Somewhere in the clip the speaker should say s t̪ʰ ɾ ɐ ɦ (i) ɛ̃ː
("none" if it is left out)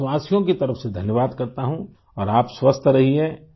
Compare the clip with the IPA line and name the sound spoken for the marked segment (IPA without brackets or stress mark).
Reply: i